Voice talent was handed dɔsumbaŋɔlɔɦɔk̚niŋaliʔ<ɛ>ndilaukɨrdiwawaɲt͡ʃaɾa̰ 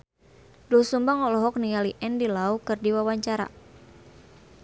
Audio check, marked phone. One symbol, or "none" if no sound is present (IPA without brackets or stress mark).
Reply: ɛ